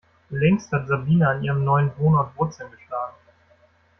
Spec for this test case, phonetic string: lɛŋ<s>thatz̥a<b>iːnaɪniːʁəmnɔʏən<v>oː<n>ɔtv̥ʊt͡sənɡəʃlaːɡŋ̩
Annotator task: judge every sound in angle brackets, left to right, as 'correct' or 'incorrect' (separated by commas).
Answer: correct, correct, correct, correct